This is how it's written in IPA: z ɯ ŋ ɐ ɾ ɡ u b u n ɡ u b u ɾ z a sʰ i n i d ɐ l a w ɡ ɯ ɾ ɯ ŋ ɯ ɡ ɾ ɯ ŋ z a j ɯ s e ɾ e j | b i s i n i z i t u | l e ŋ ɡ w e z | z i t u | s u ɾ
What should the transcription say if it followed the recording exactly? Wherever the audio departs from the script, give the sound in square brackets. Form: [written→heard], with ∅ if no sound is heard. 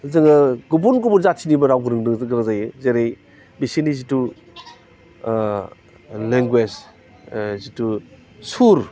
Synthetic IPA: z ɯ ŋ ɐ [ɾ→∅] ɡ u b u n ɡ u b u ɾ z a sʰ i n i [d→b] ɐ [l→ɾ] a w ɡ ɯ ɾ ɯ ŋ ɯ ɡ ɾ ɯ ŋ z a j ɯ [s→z] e ɾ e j | b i s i n i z i t u | l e ŋ ɡ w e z | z i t u | s u ɾ